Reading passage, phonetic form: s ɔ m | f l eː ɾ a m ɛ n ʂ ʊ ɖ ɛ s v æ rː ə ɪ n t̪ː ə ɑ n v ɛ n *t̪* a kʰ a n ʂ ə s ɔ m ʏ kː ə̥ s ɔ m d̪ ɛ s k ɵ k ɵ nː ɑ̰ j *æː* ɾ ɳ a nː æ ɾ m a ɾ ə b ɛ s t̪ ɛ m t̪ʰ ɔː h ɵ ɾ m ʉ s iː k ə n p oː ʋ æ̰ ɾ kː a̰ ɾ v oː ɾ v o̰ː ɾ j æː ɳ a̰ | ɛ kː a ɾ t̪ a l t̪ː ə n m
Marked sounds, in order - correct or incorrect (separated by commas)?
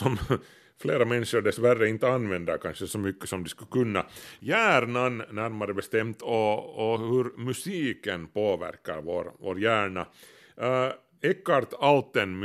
incorrect, correct